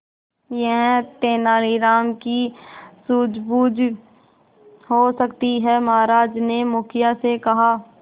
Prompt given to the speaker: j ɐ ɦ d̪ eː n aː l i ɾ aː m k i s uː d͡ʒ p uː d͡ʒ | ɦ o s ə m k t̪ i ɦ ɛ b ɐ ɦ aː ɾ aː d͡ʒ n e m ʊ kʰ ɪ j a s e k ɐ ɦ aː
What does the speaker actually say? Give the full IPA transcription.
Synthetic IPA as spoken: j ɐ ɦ t̪ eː n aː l i ɾ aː m k i s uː d͡ʒ b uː d͡ʒ | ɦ o s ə k t̪ i ɦ ɛ m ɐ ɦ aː ɾ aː d͡ʒ n e m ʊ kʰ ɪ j a s e k ɐ ɦ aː

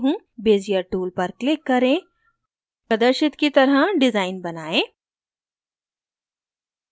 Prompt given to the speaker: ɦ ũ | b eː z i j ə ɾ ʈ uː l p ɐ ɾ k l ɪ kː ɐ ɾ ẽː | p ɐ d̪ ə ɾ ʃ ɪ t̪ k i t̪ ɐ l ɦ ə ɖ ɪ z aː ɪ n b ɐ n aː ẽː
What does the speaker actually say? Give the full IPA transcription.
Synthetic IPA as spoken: ɦ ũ | b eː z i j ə ɾ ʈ uː l p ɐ ɾ k l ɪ kː ɐ ɾ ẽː | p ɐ d̪ ə ɾ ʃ ɪ t̪ k i t̪ ɐ ɾ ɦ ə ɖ ɪ z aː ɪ n b ɐ n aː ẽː

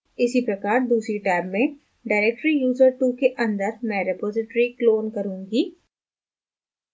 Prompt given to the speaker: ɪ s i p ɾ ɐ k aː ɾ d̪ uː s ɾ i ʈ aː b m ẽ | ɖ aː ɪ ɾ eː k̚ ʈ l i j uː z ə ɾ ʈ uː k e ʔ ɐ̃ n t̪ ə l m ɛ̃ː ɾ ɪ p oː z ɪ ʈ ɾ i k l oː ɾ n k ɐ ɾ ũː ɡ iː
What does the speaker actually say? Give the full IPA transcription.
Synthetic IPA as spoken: ɪ s i p ɾ ɐ k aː ɾ d̪ uː s ɾ i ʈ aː b m ẽ | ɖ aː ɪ ɾ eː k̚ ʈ ɾ i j uː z ə ɾ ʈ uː k e ʔ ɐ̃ n d̪ ə ɾ m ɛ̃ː ɾ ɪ p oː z ɪ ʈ ɾ i k l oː n k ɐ ɾ ũː ɡ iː

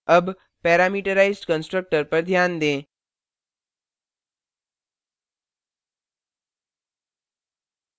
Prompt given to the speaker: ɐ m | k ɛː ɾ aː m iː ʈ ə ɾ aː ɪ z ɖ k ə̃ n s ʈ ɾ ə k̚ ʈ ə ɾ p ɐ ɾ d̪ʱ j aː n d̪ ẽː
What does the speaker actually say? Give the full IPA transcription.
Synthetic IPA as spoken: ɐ b | p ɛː ɾ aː m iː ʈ ə ɾ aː ɪ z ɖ k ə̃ n s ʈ ɾ ə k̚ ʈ ə ɾ p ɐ ɾ d̪ʱ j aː n d̪ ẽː

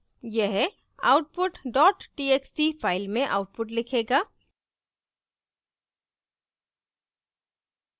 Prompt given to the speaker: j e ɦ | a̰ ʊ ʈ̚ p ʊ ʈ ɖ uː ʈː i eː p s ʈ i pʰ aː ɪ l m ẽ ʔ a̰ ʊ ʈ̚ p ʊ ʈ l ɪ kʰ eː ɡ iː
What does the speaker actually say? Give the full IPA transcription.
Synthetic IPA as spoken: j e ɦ | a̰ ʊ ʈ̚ p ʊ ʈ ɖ ɔː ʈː i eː k s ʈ i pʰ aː ɪ l m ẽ ʔ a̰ ʊ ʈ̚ p ʊ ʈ l ɪ kʰ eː ɡ aː

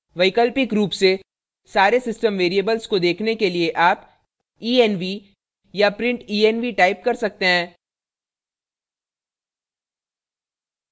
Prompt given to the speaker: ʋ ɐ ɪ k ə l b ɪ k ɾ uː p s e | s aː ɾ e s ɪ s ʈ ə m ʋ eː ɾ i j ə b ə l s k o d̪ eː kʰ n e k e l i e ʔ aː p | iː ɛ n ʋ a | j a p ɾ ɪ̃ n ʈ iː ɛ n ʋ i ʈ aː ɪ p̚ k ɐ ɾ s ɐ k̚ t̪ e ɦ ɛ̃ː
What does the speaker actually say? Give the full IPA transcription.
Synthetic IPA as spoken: ʋ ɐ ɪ k ə l p ɪ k ɾ uː p s e | s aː ɾ e s ɪ s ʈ ə m ʋ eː ɾ i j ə b ə l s k o d̪ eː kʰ n e k e l i e ʔ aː p | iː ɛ n ʋ i | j a p ɾ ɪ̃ ɳ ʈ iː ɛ n ʋ i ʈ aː ɪ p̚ k ɐ ɾ s ɐ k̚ t̪ e ɦ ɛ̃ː

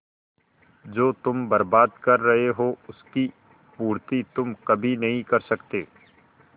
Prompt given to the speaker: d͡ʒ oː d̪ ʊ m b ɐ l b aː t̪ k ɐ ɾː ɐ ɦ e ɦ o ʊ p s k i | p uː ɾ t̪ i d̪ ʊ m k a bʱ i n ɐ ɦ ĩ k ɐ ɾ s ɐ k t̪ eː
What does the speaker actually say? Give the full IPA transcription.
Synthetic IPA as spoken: d͡ʒ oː t̪ ʊ m b ɐ ɾ b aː d̪ k ɐ ɾː ɐ ɦ e ɦ o ʊ s k i | p uː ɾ t̪ i t̪ ʊ m k ɐ bʱ i n ɐ ɦ ĩ k ɐ ɾ s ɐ k t̪ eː

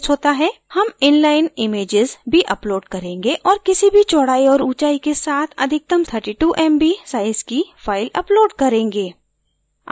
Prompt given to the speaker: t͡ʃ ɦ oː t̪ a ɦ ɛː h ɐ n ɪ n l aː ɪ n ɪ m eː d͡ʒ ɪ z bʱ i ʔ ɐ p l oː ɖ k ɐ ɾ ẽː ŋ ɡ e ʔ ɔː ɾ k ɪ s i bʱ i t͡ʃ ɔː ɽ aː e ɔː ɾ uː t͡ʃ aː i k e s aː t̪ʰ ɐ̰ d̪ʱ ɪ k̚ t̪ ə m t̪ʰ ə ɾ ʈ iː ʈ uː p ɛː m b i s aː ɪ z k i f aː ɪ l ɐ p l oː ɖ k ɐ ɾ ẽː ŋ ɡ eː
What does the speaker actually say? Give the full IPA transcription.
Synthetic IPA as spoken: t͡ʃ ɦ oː t̪ a ɦ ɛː h ɐ m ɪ n l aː ɪ n ɪ m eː d͡ʒ ɪ z bʱ i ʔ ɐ p l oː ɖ k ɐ ɾ ẽː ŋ ɡ e ʔ ɔː ɾ k ɪ s i bʱ i t͡ʃ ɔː ɽ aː i ɔː ɾ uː t͡ʃ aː i k e s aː t̪ʰ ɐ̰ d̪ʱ ɪ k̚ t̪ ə m t̪ʰ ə ɾ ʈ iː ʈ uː ʔ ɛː m b i s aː ɪ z k i f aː ɪ l ɐ p l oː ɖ k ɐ ɾ ẽː ŋ ɡ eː

